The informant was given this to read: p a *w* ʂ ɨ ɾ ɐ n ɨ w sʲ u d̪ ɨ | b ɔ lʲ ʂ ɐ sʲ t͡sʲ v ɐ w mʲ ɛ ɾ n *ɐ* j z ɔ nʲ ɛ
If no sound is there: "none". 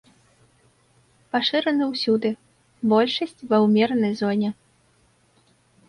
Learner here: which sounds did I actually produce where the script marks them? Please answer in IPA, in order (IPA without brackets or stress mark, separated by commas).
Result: none, ɐ